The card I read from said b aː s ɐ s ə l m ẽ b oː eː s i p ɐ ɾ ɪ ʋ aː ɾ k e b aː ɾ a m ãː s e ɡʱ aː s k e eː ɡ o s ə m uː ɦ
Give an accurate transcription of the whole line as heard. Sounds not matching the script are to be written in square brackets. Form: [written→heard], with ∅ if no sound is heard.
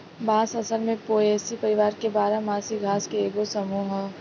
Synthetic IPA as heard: b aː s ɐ s ə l m ẽ [b→p] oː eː s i p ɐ ɾ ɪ ʋ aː ɾ k e b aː ɾ a m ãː s [e→i] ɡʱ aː s k e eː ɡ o s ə m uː ɦ

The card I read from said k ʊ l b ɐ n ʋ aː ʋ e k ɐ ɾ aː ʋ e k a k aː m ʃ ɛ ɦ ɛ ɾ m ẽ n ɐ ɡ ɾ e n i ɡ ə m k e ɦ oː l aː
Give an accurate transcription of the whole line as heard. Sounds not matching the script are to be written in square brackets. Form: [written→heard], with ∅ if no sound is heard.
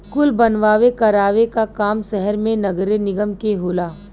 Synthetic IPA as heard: k ʊ l b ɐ n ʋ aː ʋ e k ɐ ɾ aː ʋ e k a k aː m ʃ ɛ ɦ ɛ ɾ m ẽ n ɐ ɡ ɾ e n [i→ɪ] ɡ ə m k e ɦ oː l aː

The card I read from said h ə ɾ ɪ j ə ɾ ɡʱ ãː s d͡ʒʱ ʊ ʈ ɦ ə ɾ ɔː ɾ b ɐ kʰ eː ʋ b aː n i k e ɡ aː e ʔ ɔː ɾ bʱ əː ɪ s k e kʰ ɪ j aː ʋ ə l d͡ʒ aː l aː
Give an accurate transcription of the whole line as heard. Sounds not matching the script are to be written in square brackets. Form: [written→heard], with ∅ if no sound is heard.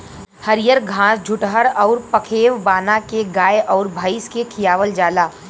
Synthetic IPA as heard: h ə ɾ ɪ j ə ɾ ɡʱ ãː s d͡ʒʱ ʊ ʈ ɦ ə ɾ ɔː ɾ [b→p] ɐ kʰ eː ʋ b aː n [i→a] k e ɡ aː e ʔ ɔː ɾ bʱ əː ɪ s k e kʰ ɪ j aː ʋ ə l d͡ʒ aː l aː

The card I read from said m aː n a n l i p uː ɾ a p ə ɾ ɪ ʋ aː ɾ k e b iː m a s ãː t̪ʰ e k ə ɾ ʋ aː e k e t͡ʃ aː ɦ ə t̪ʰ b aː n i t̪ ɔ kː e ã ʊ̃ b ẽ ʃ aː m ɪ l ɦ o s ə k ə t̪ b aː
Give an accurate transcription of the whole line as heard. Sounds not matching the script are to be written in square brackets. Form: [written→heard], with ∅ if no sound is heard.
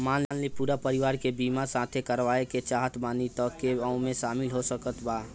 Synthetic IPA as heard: m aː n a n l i p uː ɾ a p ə ɾ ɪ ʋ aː ɾ k e b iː m a s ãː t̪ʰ e k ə ɾ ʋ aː e k e t͡ʃ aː ɦ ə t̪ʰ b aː n i t̪ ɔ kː e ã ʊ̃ [b→m] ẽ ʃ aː m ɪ l ɦ o s ə k ə t̪ b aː

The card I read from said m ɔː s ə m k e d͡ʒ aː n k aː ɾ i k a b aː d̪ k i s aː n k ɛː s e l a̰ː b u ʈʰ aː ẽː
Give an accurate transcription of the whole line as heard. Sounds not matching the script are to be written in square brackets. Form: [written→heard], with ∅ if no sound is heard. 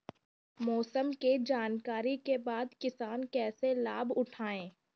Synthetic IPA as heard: m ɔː s ə m k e d͡ʒ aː n k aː ɾ i k [a→e] b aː d̪ k [i→ɪ] s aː n k ɛː s e l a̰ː b [u→ʊ] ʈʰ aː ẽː

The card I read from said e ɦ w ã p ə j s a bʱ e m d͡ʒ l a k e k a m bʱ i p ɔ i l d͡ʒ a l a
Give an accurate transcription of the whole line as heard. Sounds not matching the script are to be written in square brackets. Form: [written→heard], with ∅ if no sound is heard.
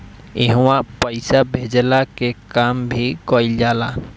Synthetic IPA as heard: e ɦ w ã p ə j s a bʱ e [m→∅] d͡ʒ l a k e k a m bʱ i [p→k] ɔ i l d͡ʒ a l a

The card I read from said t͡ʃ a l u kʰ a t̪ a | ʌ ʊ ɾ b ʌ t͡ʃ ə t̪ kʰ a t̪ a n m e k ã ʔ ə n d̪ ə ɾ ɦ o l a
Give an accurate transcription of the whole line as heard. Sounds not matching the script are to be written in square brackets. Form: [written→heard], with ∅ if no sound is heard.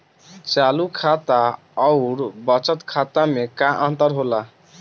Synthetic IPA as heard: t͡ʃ a l u kʰ a t̪ a | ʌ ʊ ɾ b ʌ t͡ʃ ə t̪ kʰ a t̪ a [n→∅] m e k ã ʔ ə n [d̪→t̪] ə ɾ ɦ o l a

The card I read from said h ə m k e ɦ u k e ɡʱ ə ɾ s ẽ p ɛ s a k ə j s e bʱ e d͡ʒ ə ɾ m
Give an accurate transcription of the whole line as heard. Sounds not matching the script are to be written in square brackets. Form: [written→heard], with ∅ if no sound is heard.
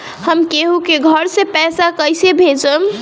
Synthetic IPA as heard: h ə m k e ɦ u k e ɡʱ ə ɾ s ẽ p ɛ s a k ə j s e bʱ e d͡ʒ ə [ɾ→∅] m

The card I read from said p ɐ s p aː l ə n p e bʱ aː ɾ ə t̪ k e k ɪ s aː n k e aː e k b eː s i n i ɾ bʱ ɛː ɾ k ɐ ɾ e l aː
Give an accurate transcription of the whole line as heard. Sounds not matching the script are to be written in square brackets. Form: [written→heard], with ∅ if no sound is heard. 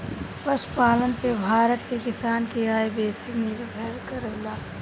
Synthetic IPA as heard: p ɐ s p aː l ə n p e bʱ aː ɾ ə t̪ k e k ɪ s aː n k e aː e [k→∅] b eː s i n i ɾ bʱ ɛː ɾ k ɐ ɾ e l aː

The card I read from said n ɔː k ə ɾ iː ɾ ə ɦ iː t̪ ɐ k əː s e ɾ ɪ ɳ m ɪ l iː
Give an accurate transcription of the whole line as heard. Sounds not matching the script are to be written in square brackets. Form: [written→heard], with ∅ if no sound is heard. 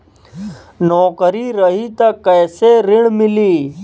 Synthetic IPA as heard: n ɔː k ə ɾ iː ɾ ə ɦ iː t̪ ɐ k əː s e ɾ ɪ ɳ m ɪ l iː

